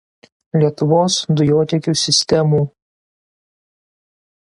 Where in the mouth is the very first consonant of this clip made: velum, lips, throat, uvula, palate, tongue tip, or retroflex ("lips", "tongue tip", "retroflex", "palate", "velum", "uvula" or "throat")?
tongue tip